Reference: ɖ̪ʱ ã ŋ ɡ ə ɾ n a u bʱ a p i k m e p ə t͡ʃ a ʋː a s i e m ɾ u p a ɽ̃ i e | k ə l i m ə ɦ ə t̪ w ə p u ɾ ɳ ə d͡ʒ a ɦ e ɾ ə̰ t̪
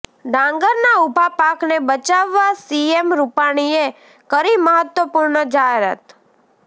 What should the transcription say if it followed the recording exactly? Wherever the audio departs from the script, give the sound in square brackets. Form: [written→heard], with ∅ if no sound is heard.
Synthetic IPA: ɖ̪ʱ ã ŋ ɡ ə ɾ n a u bʱ a p [i→a] k [m→n] e [p→b] ə t͡ʃ a ʋː a s i e m ɾ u p a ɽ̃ i e | k ə [l→ɾ] i m ə ɦ ə t̪ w ə p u ɾ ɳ ə d͡ʒ a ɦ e ɾ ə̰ t̪

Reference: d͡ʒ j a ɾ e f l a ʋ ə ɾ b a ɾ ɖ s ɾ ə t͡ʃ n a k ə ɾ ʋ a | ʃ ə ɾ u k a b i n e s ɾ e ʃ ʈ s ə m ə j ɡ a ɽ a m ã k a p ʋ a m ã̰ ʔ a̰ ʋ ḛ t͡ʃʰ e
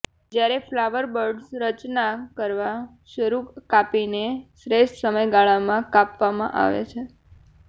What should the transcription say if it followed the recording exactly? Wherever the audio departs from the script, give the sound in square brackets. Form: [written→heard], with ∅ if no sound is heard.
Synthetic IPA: d͡ʒ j a ɾ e f l a ʋ ə ɾ b [a→ə] ɾ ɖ s ɾ ə t͡ʃ n a k ə ɾ ʋ a | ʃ ə ɾ u k a [b→p] i n e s ɾ e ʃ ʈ s ə m ə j ɡ a [ɽ→ɭ] a m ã k a p ʋ a m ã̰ ʔ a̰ ʋ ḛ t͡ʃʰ e

